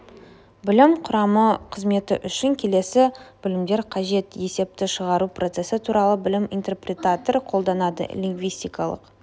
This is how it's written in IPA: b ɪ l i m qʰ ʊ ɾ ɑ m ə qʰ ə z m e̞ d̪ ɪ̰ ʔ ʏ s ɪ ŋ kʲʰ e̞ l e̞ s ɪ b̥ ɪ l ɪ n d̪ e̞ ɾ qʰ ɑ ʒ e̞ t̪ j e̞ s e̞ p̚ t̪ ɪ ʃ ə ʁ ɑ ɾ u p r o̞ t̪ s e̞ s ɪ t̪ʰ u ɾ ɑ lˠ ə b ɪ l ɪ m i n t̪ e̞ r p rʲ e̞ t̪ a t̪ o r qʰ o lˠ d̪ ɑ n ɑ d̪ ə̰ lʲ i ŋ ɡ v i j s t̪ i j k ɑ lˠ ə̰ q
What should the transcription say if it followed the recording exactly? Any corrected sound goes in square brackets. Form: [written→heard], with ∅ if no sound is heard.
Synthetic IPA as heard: b ɪ l [i→ɪ] m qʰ ʊ ɾ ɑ m ə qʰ ə z m e̞ [d̪→t̪] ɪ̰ ʔ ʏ [s→ʃ] ɪ ŋ kʲʰ e̞ l e̞ s ɪ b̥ ɪ l ɪ [n→m] d̪ e̞ ɾ qʰ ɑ ʒ e̞ t̪ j e̞ s e̞ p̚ t̪ ɪ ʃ ə ʁ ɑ ɾ u p r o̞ t̪ s e̞ s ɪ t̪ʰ u ɾ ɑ lˠ ə b ɪ l ɪ m i n t̪ e̞ r p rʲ e̞ t̪ a t̪ o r qʰ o lˠ d̪ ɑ n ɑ d̪ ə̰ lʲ i ŋ ɡ v i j s t̪ i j k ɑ lˠ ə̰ q